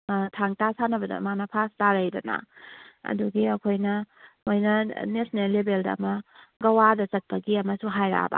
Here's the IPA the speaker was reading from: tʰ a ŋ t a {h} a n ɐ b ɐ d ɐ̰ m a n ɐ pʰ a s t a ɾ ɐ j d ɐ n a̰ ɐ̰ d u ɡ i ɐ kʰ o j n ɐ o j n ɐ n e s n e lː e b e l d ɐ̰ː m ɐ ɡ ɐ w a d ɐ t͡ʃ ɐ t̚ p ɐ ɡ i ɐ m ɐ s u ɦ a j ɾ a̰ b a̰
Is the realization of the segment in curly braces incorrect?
yes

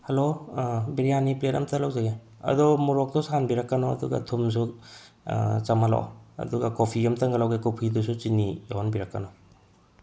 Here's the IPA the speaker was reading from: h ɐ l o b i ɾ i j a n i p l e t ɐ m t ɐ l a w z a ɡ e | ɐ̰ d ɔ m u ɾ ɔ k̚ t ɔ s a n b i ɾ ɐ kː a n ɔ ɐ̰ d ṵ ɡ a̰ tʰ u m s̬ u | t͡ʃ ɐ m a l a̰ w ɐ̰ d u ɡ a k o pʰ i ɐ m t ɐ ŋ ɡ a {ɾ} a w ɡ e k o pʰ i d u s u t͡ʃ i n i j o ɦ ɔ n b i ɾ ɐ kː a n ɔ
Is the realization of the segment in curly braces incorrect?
yes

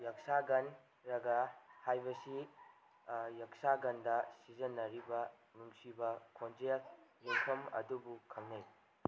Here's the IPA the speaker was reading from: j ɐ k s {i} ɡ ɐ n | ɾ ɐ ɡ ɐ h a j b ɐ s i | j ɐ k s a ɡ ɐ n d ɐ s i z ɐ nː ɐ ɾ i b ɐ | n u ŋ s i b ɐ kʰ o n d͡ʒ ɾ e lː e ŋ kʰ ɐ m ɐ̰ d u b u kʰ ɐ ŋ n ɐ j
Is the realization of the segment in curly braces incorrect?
yes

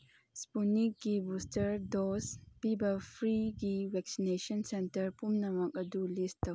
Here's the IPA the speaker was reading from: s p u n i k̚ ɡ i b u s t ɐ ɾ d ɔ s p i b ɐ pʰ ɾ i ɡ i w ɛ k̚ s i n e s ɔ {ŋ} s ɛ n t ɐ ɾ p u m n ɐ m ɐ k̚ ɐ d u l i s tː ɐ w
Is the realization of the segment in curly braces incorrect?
yes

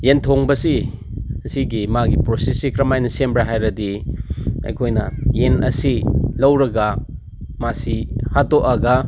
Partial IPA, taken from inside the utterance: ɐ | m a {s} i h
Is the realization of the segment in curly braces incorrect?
no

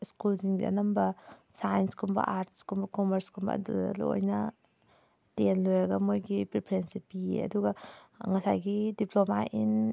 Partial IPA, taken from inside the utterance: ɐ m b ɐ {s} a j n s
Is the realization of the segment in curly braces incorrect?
no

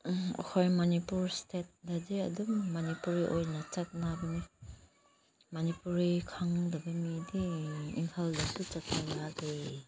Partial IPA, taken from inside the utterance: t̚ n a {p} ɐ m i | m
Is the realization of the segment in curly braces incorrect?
yes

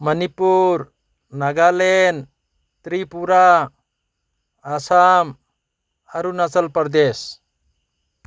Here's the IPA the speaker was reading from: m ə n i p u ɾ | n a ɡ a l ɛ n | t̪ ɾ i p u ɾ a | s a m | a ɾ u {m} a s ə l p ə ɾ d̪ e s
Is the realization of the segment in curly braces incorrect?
yes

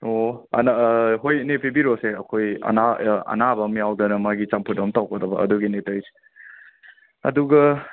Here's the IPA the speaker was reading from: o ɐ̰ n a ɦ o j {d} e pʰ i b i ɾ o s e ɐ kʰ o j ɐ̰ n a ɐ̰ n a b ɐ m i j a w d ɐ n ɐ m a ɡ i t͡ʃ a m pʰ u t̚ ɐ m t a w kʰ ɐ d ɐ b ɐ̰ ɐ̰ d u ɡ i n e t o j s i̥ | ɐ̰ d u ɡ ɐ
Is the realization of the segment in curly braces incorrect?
yes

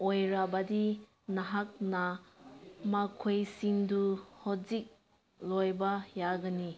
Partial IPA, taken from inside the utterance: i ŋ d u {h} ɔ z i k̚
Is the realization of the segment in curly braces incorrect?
no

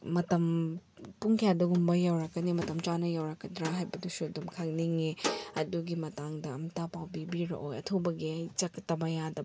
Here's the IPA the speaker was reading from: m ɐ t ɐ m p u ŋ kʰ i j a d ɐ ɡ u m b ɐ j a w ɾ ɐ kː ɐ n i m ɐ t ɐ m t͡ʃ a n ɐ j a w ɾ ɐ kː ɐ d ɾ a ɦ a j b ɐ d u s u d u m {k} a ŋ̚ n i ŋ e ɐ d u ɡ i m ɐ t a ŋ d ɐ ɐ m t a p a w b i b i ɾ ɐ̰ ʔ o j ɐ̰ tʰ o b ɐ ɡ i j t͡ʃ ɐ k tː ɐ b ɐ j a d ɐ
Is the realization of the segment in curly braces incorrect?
yes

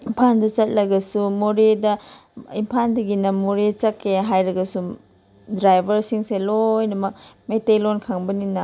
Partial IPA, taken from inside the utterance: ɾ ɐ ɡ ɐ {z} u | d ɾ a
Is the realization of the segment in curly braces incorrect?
yes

